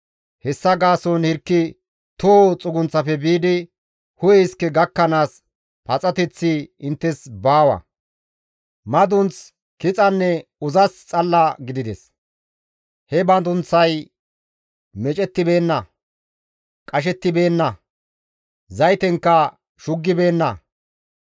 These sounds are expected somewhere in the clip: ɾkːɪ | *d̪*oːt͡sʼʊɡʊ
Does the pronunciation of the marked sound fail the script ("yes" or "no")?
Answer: yes